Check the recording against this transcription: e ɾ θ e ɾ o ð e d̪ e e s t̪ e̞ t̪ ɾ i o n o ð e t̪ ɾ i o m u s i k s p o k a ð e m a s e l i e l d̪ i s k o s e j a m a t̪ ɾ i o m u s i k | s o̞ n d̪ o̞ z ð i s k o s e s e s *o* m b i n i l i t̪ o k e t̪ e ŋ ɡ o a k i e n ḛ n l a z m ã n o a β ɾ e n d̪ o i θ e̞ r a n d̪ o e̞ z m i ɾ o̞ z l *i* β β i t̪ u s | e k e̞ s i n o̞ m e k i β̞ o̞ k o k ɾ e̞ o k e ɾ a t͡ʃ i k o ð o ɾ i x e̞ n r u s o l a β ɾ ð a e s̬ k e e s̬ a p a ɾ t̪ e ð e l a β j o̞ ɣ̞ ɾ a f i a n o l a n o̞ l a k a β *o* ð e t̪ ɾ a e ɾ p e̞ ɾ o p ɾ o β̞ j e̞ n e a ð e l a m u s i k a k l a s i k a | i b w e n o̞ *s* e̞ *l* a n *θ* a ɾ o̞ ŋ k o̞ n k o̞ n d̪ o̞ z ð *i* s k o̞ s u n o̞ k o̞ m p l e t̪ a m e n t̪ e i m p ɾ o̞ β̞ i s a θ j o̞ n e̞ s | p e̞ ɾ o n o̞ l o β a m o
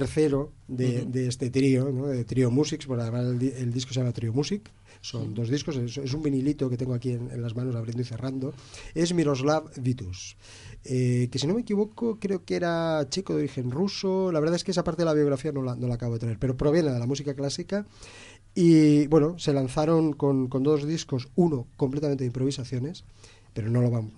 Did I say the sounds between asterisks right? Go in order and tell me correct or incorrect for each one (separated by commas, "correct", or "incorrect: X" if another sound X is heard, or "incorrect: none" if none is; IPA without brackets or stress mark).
incorrect: u, incorrect: a, correct, correct, correct, correct, correct